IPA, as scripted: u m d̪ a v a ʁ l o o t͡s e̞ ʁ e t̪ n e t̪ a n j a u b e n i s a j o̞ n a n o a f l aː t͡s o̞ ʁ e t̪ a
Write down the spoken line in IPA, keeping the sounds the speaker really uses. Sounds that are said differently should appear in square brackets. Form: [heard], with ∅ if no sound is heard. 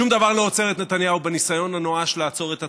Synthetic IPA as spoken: u m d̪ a v a ʁ l o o t͡s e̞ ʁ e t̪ n e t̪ a n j a u b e n i s a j o̞ n a n o a [ʃ] l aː t͡s o̞ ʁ e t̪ a